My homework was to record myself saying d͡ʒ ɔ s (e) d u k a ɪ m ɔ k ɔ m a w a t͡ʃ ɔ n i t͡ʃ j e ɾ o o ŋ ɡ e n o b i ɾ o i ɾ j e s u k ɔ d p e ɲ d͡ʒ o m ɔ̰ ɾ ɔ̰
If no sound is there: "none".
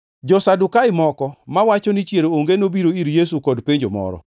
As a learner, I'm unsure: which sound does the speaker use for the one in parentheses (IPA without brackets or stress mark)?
a